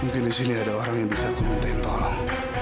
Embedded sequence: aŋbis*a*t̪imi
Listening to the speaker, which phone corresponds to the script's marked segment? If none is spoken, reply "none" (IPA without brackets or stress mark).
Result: a